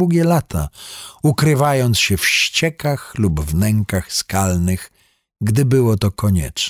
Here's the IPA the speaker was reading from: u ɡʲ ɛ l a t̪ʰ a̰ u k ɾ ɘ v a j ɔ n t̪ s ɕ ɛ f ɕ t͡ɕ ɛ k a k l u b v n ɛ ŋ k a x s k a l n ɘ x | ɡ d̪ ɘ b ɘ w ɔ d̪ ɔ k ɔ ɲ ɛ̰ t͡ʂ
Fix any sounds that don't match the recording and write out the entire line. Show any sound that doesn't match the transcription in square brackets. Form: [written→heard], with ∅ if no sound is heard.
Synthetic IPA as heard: u ɡʲ ɛ l a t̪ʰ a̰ u k ɾ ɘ v a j ɔ n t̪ s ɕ ɛ f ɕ t͡ɕ ɛ k a [k→x] l u b v n ɛ ŋ k a x s k a l n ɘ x | ɡ d̪ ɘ b ɘ w ɔ [d̪→t̪] ɔ k ɔ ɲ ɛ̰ t͡ʂ